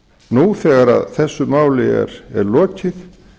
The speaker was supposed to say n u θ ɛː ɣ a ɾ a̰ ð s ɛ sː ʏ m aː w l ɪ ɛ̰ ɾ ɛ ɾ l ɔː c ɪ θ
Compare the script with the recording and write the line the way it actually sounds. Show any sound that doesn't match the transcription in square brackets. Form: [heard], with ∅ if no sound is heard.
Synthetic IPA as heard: n u θ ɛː ɣ a ɾ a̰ ð [θ] ɛ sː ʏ m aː w l ɪ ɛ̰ ɾ ɛ ɾ l ɔː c ɪ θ